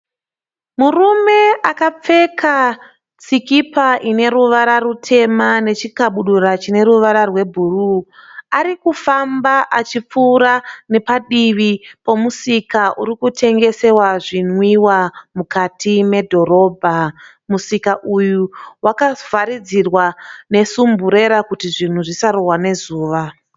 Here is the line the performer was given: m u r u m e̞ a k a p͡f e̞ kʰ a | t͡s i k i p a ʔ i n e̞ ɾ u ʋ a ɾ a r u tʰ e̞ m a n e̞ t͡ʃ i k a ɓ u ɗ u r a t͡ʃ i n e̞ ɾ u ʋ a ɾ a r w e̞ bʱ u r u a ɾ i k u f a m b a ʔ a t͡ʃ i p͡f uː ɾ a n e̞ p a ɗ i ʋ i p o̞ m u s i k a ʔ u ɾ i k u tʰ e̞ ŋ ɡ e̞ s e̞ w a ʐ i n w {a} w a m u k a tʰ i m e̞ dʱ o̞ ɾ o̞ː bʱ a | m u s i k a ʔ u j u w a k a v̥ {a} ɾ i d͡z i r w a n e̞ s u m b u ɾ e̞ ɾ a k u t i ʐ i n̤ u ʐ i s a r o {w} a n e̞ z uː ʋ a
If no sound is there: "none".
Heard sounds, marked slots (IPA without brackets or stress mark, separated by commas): i, a, w